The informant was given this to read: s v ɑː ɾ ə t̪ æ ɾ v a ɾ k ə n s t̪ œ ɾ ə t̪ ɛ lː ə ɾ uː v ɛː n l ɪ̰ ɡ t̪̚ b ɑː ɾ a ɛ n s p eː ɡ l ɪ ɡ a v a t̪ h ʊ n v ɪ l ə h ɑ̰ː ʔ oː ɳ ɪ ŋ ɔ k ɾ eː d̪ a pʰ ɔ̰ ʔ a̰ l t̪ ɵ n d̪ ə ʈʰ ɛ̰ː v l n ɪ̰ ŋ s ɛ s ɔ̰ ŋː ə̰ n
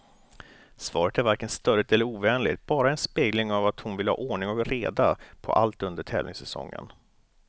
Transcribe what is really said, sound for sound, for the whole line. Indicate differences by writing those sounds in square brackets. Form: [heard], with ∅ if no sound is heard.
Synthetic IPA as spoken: s v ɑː ɾ ə t̪ æ ɾ v a ɾ k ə n s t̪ œ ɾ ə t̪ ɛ lː ə ɾ uː v ɛː n l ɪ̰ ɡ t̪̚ b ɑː ɾ a ɛ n s p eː ɡ l ɪ [ŋ] a v a t̪ h ʊ n v ɪ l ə h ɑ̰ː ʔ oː ɳ ɪ ŋ ɔ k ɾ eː d̪ a pʰ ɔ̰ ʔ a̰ l t̪ ɵ n d̪ ə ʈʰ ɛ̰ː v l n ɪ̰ ŋ s ɛ s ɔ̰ ŋː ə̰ n

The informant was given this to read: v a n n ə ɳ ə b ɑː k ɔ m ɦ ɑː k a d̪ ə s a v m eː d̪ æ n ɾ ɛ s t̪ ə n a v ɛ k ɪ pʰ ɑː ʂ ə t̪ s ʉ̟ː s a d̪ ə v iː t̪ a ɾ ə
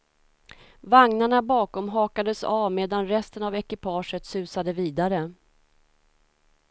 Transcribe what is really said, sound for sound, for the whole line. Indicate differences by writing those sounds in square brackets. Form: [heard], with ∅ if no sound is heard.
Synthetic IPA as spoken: v a [ŋ] n [a] ɳ [a] b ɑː k ɔ m ɦ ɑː k a d̪ ə s a v m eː d̪ [a] n ɾ ɛ s t̪ ə n a v ɛ k ɪ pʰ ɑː ʂ ə t̪ s ʉ̟ː s a d̪ ə v iː [d̪] a ɾ ə

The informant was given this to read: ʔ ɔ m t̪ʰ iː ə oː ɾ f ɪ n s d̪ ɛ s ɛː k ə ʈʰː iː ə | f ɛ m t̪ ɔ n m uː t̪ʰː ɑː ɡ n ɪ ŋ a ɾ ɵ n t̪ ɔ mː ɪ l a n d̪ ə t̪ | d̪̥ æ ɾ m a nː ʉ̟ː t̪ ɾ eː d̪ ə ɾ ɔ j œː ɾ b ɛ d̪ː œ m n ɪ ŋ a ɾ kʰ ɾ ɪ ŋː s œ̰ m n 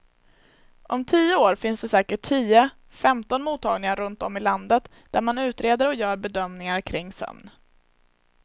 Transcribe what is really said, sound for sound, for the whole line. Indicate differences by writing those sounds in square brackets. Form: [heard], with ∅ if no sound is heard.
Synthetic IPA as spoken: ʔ ɔ m t̪ʰ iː ə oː ɾ f ɪ n s d̪ ɛ s ɛː k ə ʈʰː iː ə | f ɛ m t̪ ɔ n m uː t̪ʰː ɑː ɡ n ɪ ŋ a ɾ ɵ n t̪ ɔ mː ɪ l a n d̪ ə t̪ | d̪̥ æ ɾ m a [n] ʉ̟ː t̪ ɾ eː d̪ ə ɾ ɔ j œː ɾ b ɛ [d̪] œ m n ɪ ŋ a ɾ kʰ ɾ ɪ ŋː s œ̰ m n

